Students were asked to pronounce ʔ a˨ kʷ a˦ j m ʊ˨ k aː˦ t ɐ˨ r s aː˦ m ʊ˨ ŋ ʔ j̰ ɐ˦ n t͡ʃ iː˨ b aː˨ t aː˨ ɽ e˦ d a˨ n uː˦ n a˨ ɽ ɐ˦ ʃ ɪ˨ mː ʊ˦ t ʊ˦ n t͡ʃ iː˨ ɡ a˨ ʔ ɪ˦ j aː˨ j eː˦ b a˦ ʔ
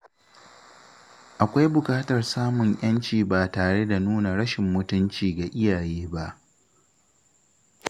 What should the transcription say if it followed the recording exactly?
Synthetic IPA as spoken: ʔ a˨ kʷ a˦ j b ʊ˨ k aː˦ t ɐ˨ r s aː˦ m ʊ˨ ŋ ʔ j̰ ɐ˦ n t͡ʃ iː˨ b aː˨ t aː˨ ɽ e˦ d a˨ n uː˦ n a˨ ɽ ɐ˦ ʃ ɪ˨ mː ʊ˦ t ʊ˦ n t͡ʃ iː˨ ɡ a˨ ʔ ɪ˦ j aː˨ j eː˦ b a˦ ʔ